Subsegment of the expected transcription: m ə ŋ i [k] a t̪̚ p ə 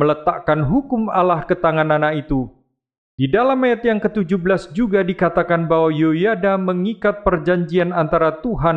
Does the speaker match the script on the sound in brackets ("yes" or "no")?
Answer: yes